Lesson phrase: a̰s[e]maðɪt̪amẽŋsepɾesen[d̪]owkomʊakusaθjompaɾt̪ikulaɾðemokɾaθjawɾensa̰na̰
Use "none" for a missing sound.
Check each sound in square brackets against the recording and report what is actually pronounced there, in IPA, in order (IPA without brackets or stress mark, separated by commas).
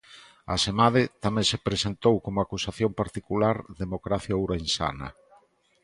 e, t̪